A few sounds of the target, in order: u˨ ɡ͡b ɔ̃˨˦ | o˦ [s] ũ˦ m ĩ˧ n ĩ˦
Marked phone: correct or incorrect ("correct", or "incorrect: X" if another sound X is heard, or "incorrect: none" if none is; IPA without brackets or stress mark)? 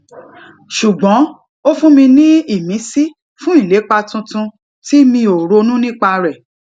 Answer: incorrect: f